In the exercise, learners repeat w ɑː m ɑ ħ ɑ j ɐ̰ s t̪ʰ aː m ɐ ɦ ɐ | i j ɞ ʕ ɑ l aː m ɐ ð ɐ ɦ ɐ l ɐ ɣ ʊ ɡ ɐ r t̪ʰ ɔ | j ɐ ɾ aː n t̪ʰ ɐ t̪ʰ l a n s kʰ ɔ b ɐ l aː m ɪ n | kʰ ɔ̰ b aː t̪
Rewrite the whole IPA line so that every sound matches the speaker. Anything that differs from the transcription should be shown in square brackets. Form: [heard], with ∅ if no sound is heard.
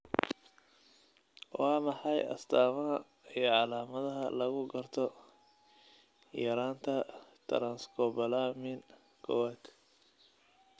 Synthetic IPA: w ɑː m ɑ ħ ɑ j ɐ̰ s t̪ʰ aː m ɐ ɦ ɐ | i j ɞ ʕ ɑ l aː m ɐ ð ɐ ɦ ɐ l ɐ ɣ ʊ ɡ ɐ r t̪ʰ ɔ | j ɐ ɾ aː n t̪ʰ ɐ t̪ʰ [ɾ] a n s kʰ ɔ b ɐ l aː m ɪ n | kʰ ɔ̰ [w] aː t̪

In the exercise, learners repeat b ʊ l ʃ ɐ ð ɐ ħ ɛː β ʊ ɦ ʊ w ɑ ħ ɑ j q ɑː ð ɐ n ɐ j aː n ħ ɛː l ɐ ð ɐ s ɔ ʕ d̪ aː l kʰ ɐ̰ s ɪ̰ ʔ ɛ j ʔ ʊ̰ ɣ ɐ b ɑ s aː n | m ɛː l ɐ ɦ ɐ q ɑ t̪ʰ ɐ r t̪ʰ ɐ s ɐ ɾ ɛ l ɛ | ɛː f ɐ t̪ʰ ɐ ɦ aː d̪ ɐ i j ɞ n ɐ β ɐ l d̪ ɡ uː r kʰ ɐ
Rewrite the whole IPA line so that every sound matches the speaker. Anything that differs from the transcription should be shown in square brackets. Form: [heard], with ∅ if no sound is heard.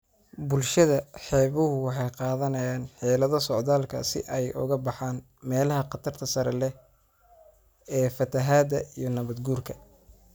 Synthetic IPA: b ʊ l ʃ ɐ ð ɐ ħ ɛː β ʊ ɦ ʊ w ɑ ħ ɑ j q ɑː ð ɐ n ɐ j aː n ħ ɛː l ɐ ð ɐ s ɔ ʕ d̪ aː l kʰ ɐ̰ s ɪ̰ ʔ ɛ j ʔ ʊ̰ ɣ ɐ b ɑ [ħ] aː n | m ɛː l ɐ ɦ ɐ q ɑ t̪ʰ ɐ r t̪ʰ ɐ s ɐ ɾ ɛ l ɛ | ɛː f ɐ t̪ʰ ɐ ɦ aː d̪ ɐ i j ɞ n ɐ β ɐ [∅] d̪ ɡ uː r kʰ ɐ

